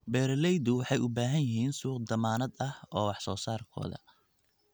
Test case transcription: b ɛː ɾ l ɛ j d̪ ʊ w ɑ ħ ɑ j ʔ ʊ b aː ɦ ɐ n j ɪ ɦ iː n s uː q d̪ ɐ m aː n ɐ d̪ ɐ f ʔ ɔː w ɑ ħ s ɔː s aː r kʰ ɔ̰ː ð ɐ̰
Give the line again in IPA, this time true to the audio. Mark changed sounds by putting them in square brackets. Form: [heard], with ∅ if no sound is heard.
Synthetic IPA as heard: b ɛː ɾ l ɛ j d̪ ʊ w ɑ ħ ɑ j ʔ ʊ b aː ɦ ɐ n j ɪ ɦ iː n s uː q d̪ ɐ m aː n ɐ d̪ ɐ [h] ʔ ɔː w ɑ ħ s ɔː s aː r kʰ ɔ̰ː ð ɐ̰